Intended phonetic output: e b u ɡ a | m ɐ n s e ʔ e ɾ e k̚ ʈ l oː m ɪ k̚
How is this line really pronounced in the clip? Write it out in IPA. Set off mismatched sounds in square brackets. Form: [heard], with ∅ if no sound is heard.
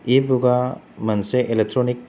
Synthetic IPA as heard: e b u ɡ a | m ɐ n s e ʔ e [l] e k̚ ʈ [ɾ] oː [n] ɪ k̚